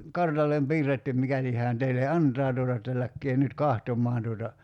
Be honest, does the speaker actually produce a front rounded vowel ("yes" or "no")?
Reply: yes